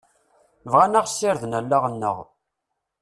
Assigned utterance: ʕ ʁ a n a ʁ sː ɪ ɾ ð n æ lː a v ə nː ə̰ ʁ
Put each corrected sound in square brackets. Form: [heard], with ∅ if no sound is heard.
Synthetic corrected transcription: [v] ʁ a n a ʁ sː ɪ ɾ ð n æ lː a [ʁ] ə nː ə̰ ʁ